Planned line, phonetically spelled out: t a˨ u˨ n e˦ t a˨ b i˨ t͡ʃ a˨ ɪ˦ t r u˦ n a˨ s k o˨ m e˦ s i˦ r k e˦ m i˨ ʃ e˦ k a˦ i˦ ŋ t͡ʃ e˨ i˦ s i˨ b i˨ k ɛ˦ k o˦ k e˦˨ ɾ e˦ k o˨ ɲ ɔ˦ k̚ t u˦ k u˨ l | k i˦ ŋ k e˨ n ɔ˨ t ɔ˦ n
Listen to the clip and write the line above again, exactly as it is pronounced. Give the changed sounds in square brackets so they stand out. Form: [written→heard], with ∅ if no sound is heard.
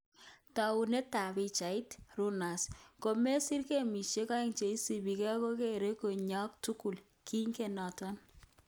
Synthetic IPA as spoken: t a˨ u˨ n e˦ t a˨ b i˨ t͡ʃ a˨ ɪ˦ t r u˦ n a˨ s k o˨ m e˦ s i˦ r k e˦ m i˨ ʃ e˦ k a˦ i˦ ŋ t͡ʃ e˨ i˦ s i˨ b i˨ k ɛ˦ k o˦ k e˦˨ ɾ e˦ k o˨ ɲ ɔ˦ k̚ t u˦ k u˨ l | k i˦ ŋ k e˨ n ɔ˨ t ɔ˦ n